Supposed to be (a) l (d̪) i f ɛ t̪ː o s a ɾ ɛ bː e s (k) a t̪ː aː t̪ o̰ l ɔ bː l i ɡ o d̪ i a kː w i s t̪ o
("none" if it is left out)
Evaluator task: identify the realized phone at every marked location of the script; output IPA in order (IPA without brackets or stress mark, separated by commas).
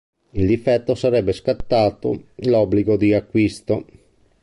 i, d̪, k